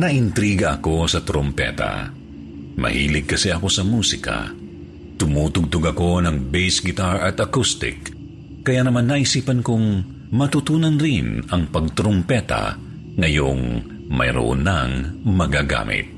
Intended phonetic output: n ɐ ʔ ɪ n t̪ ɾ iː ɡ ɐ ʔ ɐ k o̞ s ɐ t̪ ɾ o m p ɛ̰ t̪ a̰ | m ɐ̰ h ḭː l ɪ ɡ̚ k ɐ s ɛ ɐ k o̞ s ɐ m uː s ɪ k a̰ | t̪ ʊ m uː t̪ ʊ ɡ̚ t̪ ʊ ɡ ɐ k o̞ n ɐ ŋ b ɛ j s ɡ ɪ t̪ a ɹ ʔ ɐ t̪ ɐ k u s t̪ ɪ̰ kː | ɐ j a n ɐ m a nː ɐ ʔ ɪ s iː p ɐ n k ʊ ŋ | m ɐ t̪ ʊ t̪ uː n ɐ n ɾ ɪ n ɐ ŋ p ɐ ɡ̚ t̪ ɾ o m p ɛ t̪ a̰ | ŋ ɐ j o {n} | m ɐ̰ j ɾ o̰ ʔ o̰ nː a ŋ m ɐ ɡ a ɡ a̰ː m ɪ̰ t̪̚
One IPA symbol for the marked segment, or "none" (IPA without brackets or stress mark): ŋ